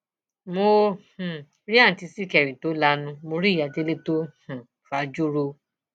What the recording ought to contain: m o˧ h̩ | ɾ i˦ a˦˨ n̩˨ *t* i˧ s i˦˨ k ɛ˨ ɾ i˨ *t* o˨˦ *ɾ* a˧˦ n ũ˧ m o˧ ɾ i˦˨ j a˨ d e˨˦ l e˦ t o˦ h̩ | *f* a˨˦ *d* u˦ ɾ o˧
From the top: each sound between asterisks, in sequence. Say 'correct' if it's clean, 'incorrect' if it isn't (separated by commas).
correct, correct, incorrect, correct, incorrect